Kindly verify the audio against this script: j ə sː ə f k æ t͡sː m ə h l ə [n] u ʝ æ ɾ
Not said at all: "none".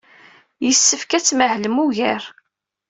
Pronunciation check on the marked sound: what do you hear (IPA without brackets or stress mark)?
m